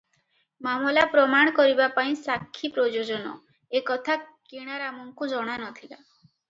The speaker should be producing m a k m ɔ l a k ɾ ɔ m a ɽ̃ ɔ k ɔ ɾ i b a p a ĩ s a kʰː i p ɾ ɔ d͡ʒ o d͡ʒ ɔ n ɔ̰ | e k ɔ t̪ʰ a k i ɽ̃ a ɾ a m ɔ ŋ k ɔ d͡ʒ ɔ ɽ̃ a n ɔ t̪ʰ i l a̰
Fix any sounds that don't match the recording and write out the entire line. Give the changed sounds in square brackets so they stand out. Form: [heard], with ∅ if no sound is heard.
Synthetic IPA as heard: m a [∅] m ɔ l a [p] ɾ ɔ m a ɽ̃ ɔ k ɔ ɾ i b a p a ĩ s a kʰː i p ɾ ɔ d͡ʒ o d͡ʒ ɔ n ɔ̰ | e k ɔ t̪ʰ a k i ɽ̃ a ɾ a m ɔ ŋ k [u] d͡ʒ ɔ ɽ̃ a n ɔ t̪ʰ i l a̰

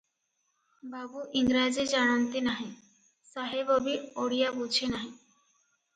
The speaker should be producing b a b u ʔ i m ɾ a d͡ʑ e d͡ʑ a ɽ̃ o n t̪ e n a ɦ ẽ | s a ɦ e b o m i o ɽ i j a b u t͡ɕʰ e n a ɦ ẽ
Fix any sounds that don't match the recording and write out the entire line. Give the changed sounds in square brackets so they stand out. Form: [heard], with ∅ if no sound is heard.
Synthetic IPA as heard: b a b u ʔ i [ŋ] ɾ a d͡ʑ e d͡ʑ a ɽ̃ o n t̪ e n a ɦ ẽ | s a ɦ e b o [b] i o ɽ i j a b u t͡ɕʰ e n a ɦ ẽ

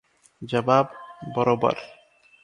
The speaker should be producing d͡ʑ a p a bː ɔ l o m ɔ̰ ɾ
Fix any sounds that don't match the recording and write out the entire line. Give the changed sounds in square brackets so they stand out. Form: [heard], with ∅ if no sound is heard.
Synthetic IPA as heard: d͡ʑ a [b] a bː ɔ [ɾ] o [b] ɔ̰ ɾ

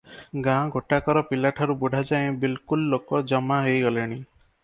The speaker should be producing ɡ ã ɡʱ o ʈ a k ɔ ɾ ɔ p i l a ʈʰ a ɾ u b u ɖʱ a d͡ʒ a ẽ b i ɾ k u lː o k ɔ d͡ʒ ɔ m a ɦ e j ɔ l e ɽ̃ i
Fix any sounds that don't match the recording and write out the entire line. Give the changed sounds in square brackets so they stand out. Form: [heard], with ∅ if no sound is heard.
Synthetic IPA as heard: ɡ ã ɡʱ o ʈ a k ɔ ɾ ɔ p i l a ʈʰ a ɾ u b u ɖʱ a d͡ʒ a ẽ b i [l] k u lː o k ɔ d͡ʒ ɔ m a ɦ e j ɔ l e ɽ̃ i

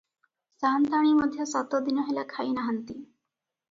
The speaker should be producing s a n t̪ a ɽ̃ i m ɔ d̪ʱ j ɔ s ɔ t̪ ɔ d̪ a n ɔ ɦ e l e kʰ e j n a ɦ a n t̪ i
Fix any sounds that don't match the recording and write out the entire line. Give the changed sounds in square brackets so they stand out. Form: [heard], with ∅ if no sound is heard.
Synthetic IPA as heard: s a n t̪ a ɽ̃ i m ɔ d̪ʱ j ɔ s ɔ t̪ ɔ d̪ [i] n ɔ ɦ e l [a] kʰ [a] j n a ɦ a n t̪ i

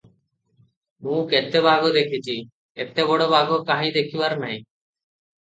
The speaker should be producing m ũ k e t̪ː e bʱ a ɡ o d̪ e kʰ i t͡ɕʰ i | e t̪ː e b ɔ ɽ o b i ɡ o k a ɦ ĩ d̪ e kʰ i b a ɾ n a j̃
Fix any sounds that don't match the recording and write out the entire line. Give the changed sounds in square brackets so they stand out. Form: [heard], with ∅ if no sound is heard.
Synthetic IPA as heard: m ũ k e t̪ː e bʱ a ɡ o d̪ e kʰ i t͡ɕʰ i | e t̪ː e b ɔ ɽ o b [a] ɡ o k a ɦ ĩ d̪ e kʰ i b a ɾ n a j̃

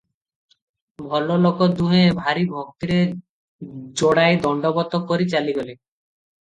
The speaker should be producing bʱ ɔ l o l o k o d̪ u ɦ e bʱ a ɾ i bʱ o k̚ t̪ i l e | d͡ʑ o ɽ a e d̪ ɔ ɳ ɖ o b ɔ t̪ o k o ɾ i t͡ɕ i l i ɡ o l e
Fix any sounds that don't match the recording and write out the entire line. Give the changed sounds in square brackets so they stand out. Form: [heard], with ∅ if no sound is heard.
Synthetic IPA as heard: bʱ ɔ l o l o k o d̪ u ɦ e bʱ a ɾ i bʱ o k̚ t̪ i [ɾ] e | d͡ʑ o ɽ a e d̪ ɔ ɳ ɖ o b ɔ t̪ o k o ɾ i t͡ɕ [a] l i ɡ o l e

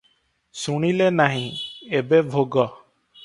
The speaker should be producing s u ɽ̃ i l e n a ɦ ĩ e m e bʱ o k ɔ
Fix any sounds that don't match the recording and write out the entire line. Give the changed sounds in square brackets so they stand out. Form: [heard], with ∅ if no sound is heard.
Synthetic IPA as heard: s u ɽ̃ i l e n a ɦ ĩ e [b] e bʱ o [ɡ] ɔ

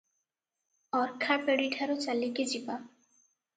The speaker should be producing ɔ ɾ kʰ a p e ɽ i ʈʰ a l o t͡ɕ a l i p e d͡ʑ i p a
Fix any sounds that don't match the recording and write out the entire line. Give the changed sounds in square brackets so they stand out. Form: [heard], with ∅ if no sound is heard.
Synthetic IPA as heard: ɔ ɾ kʰ a p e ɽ i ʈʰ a [ɾ] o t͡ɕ a l i [k] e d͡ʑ i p a

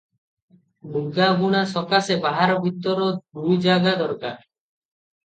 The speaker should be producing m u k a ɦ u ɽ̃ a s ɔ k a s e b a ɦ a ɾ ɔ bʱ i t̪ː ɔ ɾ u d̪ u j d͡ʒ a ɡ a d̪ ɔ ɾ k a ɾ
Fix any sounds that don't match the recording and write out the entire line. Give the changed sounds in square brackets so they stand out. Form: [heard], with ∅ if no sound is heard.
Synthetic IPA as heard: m u [ɡ] a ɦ u ɽ̃ a s ɔ k a s e b a ɦ a ɾ ɔ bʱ i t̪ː ɔ ɾ [ɔ] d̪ u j d͡ʒ a ɡ a d̪ ɔ ɾ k a ɾ

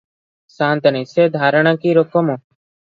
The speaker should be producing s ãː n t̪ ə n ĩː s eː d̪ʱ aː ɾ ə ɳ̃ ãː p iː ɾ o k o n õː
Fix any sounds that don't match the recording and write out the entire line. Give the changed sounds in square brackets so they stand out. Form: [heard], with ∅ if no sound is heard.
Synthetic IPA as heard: s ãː n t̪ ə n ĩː s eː d̪ʱ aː ɾ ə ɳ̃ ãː [k] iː ɾ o k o [m] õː

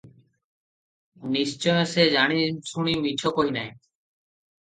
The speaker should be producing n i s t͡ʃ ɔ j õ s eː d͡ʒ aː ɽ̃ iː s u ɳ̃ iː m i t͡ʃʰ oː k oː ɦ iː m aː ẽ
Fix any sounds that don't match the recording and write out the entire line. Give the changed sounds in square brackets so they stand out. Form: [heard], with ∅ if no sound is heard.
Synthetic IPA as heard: n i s t͡ʃ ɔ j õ s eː d͡ʒ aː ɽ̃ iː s u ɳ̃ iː m i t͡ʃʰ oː k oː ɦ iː [n] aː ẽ

